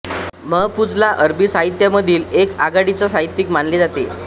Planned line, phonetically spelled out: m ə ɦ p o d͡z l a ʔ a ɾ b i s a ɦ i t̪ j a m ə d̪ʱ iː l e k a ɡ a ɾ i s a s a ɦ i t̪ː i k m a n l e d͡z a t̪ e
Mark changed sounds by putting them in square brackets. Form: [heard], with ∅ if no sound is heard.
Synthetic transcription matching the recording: m ə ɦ p [u] d͡z l a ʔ [ə] ɾ b i s a ɦ i t̪ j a m ə d̪ʱ iː l e k a ɡ a [ɽ] i [t͡s] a s a ɦ i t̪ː i k m a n l e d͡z a t̪ e